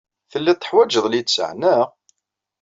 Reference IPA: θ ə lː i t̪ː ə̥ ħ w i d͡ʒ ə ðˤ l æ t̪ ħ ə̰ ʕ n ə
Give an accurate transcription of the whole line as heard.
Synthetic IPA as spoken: θ ə lː æ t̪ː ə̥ ħ w æ d͡ʒ ə ðˤ l i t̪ s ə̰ ʕ n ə